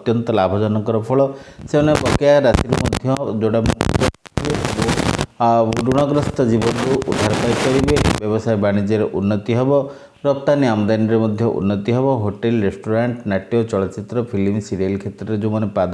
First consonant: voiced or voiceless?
voiceless